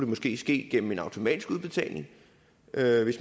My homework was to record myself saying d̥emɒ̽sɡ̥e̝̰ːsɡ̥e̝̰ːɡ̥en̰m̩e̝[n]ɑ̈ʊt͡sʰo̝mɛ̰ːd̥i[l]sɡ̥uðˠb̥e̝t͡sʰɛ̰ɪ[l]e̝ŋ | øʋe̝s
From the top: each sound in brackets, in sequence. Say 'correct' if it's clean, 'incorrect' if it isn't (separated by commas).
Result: correct, incorrect, correct